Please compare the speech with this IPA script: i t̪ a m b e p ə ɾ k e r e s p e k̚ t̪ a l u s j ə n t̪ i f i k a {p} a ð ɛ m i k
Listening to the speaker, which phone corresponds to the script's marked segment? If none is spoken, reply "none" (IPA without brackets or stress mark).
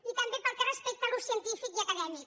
k